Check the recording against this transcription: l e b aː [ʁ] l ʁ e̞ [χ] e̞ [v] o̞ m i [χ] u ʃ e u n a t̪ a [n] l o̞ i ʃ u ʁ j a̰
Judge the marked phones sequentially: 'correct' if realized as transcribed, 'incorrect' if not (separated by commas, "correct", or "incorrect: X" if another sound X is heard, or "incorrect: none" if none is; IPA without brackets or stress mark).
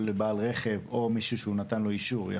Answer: incorrect: none, correct, correct, incorrect: ʃ, correct